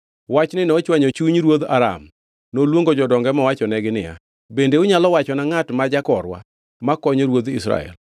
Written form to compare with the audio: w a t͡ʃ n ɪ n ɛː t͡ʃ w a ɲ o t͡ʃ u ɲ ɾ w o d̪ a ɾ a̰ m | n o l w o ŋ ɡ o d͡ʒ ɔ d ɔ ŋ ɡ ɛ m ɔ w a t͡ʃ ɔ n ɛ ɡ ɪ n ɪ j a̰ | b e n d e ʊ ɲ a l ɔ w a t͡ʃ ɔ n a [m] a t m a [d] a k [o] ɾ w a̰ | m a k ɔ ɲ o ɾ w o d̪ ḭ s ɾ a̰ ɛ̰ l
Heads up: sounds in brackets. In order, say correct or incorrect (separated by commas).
incorrect, incorrect, incorrect